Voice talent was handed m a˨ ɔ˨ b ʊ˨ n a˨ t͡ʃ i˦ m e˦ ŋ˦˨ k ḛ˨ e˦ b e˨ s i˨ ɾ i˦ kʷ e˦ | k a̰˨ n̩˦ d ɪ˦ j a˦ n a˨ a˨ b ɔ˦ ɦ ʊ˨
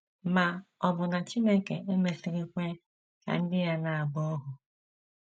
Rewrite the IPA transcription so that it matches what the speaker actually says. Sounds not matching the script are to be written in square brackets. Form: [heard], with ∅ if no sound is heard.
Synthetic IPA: m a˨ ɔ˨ b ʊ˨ n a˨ t͡ʃ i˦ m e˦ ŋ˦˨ k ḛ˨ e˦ [m] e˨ s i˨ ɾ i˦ kʷ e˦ | k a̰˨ n̩˦ d ɪ˦ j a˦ n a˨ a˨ b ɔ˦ ɦ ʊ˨